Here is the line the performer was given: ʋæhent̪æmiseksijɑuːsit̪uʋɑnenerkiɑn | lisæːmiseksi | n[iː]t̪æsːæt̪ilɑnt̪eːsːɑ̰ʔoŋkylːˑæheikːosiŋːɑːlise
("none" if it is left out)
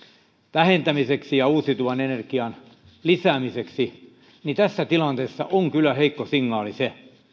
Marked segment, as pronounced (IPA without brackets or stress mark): i